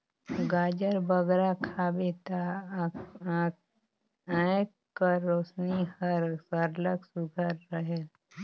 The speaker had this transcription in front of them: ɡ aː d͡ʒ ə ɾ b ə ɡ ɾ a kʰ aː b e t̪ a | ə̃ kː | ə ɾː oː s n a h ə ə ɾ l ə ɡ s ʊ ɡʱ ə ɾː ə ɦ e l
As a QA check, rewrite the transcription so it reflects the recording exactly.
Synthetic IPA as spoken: ɡ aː d͡ʒ ə ɾ b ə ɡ ɾ a kʰ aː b e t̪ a | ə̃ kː | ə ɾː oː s n i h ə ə ɾ l ə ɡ s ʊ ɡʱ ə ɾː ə ɦ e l